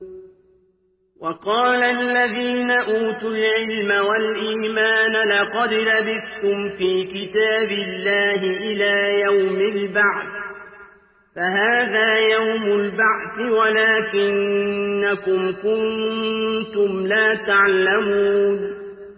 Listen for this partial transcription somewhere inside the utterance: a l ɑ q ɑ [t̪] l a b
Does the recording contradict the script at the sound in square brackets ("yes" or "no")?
yes